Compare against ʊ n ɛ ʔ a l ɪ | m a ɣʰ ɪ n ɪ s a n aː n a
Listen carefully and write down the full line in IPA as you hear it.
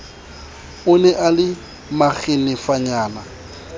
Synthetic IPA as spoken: ʊ n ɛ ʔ a l ɪ | m a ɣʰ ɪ n ɪ f a ɲ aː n a